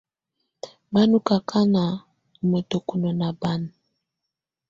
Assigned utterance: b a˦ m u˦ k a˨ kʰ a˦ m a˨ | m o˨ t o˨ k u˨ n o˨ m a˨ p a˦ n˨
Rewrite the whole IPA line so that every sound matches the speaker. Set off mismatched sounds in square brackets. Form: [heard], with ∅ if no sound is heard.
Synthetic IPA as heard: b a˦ [n] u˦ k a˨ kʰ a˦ [n] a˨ | m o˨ t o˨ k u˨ n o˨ [n] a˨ [b] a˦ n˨